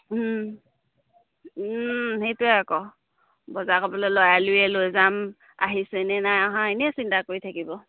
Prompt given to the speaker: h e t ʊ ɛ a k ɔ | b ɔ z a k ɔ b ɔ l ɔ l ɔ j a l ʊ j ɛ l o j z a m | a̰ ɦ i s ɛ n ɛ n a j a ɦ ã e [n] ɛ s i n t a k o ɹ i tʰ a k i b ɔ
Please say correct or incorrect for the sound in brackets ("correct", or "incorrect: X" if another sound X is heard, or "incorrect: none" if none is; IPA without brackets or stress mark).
correct